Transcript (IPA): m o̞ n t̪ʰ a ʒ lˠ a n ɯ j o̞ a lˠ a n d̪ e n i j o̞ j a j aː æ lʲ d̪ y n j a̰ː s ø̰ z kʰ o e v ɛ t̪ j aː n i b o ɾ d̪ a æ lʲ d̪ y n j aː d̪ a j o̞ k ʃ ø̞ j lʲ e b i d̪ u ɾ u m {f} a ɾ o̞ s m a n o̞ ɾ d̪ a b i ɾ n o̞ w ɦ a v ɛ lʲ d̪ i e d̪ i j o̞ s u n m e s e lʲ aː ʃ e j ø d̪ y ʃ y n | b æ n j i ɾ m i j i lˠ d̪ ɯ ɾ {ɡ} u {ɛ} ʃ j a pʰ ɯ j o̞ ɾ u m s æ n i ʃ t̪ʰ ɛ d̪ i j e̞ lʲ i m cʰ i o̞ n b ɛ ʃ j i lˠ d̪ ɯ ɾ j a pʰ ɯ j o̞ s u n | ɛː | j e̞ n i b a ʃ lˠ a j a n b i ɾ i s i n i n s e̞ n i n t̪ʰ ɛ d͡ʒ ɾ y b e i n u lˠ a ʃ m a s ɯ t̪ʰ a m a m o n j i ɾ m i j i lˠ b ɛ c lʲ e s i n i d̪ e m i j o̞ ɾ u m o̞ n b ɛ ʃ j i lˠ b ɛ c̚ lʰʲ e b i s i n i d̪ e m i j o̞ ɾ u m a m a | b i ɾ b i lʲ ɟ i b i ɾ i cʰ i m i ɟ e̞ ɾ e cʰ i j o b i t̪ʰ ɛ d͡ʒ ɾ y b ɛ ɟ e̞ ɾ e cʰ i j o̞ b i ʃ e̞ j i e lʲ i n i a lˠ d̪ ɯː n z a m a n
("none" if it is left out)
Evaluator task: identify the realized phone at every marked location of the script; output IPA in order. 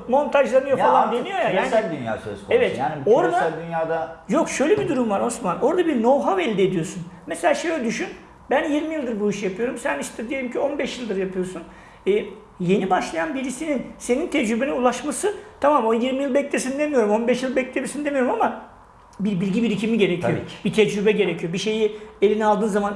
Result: v, b, i

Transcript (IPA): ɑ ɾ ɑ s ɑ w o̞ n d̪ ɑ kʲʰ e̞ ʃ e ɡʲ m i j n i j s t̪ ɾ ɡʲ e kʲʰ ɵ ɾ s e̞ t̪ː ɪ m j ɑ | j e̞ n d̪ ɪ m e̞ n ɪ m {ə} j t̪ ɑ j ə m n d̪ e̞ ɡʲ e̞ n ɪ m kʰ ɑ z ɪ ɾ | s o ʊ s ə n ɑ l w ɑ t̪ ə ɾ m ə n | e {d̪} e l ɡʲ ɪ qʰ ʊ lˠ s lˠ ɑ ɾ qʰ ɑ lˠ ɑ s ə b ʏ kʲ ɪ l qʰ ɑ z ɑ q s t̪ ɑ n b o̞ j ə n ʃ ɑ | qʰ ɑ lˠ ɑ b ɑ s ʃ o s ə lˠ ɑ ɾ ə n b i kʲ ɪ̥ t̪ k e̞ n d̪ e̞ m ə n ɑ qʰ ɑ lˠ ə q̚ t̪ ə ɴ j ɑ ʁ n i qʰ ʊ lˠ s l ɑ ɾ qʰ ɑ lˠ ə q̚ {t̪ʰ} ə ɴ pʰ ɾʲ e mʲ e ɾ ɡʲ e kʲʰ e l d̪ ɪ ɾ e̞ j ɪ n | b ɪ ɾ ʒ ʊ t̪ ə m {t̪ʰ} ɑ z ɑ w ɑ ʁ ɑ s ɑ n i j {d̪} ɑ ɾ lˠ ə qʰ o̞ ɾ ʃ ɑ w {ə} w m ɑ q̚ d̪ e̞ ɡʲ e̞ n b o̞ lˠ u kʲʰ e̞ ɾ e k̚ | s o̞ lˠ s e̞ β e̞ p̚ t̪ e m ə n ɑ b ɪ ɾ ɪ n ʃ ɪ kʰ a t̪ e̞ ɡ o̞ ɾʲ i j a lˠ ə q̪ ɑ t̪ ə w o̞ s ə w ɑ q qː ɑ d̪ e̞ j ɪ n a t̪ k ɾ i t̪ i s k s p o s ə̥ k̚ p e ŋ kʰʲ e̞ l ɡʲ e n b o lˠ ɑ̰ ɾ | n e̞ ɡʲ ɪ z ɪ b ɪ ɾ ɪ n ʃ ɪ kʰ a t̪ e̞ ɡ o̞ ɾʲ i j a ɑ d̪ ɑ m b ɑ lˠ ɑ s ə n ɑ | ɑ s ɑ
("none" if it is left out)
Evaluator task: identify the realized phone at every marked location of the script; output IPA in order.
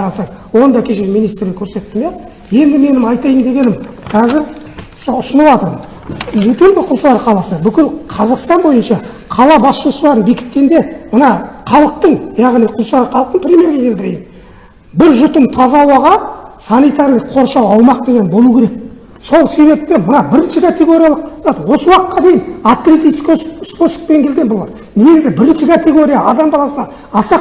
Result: ɑ, t̪, t̪, t̪ʰ, t̪, ɑ

